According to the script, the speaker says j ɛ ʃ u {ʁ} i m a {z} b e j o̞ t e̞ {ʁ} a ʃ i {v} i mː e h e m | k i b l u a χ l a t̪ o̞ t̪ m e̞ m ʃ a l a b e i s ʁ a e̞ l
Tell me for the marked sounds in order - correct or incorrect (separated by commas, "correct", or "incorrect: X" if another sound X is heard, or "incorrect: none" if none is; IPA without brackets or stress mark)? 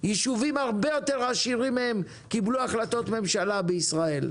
incorrect: v, incorrect: ʁ, correct, incorrect: ʁ